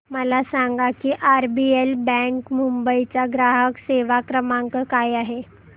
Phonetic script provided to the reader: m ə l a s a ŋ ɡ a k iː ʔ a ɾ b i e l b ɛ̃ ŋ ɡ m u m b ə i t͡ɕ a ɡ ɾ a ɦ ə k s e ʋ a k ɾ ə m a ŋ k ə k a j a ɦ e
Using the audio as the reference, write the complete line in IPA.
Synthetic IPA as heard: m ə l a s a ŋ ɡ a k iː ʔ a ɾ b i e l b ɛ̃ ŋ k m u m b ə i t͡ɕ a ɡ ɾ a ɦ ə k s e ʋ a k ɾ ə m a ŋ k ə k a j a ɦ e